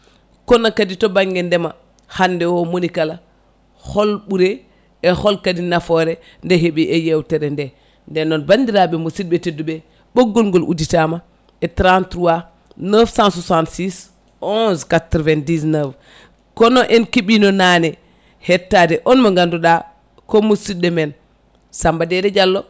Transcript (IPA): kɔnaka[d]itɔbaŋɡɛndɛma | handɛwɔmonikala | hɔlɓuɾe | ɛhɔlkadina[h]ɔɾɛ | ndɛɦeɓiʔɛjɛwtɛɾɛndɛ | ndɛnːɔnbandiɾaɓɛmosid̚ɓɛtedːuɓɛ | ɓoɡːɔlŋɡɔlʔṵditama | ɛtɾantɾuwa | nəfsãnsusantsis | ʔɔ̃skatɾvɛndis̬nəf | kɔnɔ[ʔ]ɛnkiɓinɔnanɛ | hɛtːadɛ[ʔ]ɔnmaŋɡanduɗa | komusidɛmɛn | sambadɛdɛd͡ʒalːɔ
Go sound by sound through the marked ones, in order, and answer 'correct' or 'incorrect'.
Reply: correct, incorrect, correct, correct

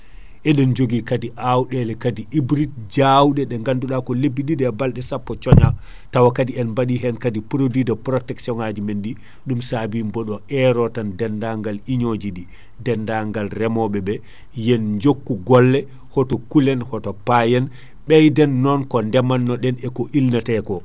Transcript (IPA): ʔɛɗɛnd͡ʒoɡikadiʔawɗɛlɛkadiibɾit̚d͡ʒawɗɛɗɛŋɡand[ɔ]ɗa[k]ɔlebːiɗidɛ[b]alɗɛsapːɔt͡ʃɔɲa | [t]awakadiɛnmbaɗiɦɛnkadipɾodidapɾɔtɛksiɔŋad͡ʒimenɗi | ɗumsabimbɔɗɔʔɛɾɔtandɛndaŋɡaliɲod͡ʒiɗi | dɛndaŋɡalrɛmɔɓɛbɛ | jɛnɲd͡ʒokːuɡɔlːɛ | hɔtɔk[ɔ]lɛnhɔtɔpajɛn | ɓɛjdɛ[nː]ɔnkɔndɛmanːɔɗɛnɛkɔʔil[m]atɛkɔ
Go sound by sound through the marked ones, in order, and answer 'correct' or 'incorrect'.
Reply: incorrect, correct, correct, correct, incorrect, correct, incorrect

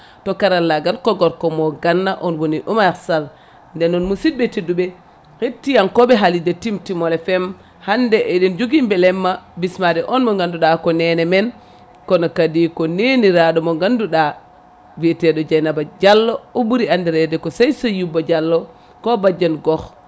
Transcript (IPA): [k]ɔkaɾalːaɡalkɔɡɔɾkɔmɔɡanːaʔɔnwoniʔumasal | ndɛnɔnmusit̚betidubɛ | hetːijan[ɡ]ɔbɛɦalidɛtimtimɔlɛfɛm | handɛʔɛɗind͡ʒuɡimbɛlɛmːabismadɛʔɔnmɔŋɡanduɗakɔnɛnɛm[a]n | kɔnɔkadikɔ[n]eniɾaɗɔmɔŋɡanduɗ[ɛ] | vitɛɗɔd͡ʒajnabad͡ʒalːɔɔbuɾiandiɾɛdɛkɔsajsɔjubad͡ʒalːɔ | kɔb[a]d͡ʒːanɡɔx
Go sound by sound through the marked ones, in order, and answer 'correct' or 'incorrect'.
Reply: incorrect, incorrect, incorrect, correct, incorrect, correct

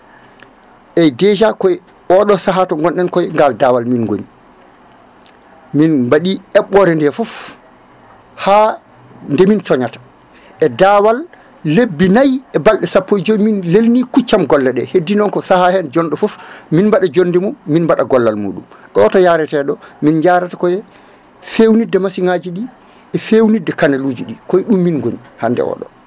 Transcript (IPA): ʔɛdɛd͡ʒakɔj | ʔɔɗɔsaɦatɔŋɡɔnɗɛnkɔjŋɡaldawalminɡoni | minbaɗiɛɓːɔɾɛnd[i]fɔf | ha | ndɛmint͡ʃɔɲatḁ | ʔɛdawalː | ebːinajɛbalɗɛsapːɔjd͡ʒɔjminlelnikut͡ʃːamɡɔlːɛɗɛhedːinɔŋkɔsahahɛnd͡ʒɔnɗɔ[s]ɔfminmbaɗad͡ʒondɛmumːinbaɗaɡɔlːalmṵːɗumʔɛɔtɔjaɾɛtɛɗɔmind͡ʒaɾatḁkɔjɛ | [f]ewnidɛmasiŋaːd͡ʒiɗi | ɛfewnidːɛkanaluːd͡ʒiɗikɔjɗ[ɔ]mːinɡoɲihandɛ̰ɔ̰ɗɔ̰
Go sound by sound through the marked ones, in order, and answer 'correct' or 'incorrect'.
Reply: incorrect, incorrect, correct, incorrect

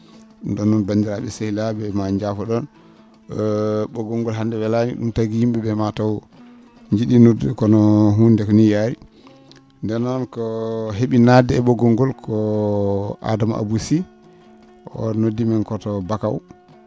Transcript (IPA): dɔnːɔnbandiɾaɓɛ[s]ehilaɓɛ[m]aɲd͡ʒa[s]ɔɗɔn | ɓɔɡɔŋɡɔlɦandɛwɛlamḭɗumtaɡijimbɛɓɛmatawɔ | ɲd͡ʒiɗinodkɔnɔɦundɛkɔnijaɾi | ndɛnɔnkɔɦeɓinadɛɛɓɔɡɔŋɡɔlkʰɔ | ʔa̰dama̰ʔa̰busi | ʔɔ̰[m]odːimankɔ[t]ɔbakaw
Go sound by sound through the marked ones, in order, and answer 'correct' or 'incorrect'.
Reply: correct, correct, incorrect, incorrect, correct

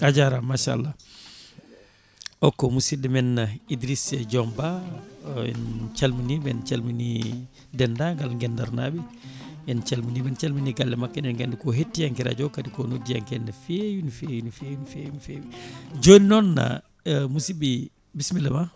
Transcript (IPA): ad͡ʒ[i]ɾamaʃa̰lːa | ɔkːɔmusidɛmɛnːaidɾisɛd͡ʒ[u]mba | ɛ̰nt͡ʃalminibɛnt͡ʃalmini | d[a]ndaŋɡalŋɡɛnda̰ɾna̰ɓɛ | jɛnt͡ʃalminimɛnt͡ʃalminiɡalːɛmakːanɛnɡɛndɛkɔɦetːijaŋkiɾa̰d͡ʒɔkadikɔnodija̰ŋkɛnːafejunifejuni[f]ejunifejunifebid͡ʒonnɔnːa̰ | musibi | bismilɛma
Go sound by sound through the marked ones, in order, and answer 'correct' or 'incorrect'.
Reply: incorrect, incorrect, incorrect, correct

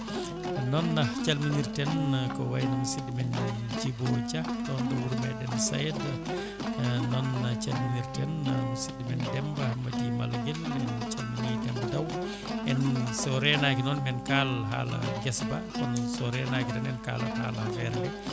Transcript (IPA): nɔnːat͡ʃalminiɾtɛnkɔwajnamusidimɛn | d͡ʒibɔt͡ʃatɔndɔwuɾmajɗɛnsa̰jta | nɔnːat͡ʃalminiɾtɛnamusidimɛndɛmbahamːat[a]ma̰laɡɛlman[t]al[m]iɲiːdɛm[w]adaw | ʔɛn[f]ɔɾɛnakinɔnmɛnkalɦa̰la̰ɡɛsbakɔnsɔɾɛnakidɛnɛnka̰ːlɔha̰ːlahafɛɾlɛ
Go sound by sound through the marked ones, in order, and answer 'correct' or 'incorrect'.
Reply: incorrect, incorrect, correct, incorrect, incorrect

